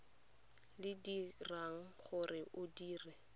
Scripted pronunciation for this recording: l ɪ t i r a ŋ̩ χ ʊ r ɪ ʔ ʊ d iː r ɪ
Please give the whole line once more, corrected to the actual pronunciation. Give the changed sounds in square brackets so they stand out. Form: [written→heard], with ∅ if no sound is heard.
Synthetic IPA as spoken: l ɪ [t→d] i r a ŋ̩ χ ʊ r ɪ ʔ ʊ d iː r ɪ